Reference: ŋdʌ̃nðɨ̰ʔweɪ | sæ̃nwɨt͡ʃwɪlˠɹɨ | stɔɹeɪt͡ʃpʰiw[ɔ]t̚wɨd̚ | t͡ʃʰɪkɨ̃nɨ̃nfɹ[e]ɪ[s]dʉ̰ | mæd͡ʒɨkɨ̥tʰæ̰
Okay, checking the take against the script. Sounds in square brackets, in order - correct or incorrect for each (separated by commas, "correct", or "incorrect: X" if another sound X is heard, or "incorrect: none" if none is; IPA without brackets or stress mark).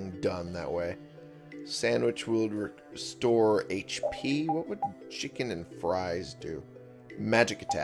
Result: incorrect: ʌ, incorrect: a, incorrect: z